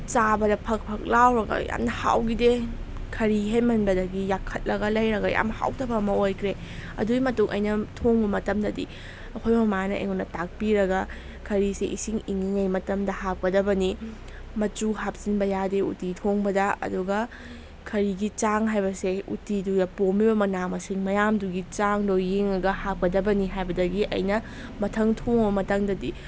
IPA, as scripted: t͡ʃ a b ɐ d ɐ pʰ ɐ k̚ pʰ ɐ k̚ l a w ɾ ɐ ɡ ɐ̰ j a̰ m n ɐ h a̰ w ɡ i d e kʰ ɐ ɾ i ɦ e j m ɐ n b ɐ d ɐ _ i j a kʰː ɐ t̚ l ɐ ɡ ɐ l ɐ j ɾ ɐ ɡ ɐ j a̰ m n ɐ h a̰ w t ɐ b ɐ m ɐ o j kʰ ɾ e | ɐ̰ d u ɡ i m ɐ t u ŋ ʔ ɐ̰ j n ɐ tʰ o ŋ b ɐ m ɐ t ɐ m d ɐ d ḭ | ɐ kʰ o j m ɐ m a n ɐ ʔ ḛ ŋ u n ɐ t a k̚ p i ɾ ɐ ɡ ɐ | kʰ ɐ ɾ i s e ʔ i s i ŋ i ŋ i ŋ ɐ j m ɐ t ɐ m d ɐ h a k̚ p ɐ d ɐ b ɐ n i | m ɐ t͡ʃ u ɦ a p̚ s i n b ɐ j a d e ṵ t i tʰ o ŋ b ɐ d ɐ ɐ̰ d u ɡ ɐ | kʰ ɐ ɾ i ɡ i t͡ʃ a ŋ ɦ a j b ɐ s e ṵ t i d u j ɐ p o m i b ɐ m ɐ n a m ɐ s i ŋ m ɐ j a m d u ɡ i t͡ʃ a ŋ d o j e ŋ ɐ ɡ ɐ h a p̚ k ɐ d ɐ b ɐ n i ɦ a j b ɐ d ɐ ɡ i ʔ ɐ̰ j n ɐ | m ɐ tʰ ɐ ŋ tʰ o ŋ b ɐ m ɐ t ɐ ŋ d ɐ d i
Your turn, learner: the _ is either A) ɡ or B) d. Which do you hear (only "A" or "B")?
A